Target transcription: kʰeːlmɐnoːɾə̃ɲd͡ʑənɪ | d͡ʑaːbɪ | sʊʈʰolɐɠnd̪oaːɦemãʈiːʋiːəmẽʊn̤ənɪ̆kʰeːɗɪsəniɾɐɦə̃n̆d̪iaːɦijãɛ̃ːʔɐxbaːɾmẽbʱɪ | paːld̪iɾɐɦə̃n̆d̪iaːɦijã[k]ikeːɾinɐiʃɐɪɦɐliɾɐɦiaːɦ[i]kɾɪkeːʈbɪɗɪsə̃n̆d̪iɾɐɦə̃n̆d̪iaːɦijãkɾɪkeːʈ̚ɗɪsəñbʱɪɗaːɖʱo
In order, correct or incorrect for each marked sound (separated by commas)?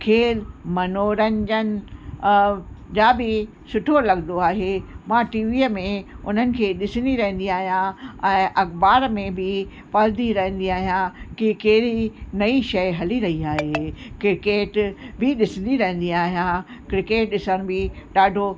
correct, incorrect